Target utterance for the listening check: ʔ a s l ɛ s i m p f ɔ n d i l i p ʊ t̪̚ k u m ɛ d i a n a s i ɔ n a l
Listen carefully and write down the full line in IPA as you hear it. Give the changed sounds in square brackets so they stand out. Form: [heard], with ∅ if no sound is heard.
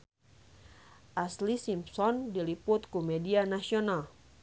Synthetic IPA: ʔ a s l [i] s i m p [s] ɔ n d i l i p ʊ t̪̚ k u m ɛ d i a n a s i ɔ n a l